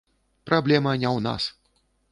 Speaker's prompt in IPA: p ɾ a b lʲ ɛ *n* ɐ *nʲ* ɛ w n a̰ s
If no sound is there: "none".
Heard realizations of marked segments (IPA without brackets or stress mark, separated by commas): m, nʲ